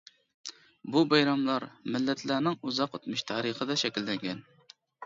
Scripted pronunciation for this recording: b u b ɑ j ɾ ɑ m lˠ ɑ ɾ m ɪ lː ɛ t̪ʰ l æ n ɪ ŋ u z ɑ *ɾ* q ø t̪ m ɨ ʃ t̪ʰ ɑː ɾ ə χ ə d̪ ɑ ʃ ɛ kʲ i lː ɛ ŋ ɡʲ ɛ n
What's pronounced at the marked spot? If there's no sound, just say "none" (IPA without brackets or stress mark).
none